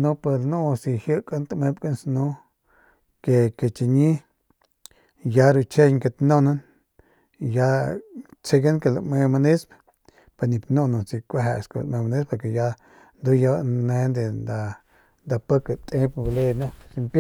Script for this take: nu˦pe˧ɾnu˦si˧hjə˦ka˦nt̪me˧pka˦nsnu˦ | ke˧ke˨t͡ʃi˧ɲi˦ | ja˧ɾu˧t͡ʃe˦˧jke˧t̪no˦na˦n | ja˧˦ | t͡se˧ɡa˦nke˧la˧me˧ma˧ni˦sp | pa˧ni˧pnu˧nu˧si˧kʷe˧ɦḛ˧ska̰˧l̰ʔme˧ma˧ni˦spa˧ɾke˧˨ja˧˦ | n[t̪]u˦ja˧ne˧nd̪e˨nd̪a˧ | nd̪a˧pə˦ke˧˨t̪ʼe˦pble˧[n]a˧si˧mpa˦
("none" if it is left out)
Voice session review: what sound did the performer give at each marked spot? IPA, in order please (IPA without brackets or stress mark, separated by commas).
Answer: d̪, n